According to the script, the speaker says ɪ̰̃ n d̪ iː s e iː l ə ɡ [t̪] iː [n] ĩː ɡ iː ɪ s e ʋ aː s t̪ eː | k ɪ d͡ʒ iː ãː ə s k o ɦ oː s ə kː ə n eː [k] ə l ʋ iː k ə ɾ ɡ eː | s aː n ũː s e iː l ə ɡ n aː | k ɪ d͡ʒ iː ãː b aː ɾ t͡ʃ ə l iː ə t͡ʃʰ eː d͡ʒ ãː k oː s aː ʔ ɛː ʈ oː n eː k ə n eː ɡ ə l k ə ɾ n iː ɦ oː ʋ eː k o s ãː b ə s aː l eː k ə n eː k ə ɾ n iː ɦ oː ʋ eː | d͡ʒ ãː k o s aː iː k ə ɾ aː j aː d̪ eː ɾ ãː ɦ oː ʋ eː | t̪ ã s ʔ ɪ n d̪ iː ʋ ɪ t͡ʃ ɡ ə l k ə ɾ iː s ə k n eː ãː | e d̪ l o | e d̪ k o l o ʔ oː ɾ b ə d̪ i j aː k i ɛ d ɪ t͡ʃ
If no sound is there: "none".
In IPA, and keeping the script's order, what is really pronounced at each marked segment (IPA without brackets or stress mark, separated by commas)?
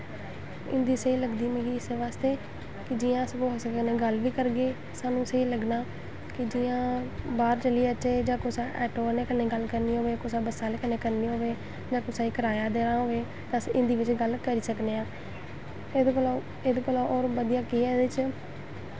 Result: d̪, m, ɡ